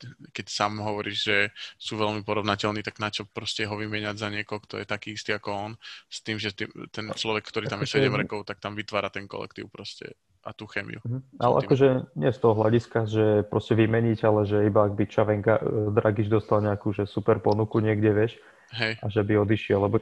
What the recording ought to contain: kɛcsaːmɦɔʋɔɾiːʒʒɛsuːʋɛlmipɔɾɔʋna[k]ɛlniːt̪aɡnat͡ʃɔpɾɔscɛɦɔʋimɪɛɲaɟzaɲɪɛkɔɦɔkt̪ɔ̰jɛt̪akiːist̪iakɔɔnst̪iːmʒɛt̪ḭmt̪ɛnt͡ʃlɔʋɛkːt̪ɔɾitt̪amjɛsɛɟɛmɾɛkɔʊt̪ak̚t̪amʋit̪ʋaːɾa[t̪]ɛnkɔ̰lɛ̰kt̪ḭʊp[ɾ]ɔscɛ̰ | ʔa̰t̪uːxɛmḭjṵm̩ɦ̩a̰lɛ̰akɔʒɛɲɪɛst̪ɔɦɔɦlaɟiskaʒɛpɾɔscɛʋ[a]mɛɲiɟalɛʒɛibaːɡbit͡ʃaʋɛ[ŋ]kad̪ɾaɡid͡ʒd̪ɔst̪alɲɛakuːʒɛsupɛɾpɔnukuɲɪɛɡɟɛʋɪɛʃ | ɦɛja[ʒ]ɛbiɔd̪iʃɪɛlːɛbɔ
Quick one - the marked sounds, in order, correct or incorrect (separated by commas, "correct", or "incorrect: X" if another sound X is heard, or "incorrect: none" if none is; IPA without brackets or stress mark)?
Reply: incorrect: c, correct, correct, incorrect: i, correct, correct